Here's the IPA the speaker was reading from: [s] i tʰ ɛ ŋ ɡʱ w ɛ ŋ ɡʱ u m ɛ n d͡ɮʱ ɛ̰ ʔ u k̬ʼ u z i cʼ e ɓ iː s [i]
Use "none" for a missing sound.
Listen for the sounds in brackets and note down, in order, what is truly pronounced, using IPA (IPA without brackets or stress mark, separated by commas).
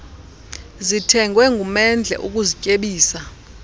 z, a